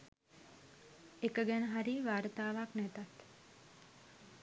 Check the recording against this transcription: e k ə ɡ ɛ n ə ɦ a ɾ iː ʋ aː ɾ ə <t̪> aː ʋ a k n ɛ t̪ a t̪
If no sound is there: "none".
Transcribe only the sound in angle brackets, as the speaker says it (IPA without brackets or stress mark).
t̪